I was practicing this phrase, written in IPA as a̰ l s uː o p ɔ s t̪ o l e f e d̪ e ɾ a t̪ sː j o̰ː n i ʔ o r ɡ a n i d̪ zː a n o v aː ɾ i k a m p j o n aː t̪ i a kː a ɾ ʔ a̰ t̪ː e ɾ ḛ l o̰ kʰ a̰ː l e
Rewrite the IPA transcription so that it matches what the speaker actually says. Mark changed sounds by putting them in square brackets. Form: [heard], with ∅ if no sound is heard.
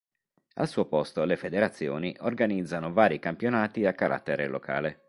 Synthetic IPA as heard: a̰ l s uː o p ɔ s t̪ o l e f e d̪ e ɾ a t̪ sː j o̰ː n i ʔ o r ɡ a n i d̪ zː a n o v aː ɾ i k a m p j o n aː t̪ i a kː a ɾ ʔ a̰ t̪ː e ɾ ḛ l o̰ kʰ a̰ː l e